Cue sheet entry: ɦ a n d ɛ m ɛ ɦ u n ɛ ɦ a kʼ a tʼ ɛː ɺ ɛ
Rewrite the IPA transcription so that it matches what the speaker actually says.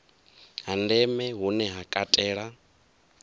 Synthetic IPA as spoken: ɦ a n d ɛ m ɛ ɦ u n ɛ ɦ a kʼ a tʼ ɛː ɺ a